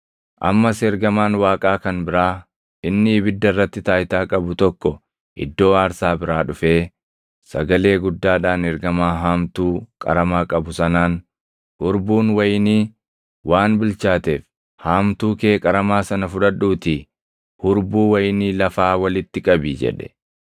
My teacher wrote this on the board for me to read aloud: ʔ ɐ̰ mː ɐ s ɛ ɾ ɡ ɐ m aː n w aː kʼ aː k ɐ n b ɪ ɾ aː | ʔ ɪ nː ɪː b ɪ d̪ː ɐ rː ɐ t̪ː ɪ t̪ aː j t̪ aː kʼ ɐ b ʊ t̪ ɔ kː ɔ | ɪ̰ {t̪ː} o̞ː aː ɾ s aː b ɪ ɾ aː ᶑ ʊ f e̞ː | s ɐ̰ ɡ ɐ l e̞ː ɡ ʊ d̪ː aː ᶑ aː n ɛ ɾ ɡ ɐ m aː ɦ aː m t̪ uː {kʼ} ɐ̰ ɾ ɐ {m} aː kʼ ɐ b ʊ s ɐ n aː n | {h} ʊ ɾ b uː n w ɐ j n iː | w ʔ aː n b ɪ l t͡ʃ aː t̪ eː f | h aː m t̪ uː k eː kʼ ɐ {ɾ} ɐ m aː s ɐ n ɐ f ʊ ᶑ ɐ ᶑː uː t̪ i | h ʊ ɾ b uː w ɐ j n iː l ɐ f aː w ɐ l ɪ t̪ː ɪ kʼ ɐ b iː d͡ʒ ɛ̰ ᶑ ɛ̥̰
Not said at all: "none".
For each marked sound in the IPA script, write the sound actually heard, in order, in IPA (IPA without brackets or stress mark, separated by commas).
d̪ː, kʼ, m, h, ɾ